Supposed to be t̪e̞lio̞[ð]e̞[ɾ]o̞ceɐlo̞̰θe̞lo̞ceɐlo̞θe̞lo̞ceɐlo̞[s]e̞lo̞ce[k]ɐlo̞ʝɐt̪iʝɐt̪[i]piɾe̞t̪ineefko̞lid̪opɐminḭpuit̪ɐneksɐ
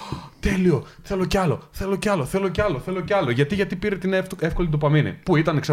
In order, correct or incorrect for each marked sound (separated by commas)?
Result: incorrect, incorrect, incorrect, incorrect, correct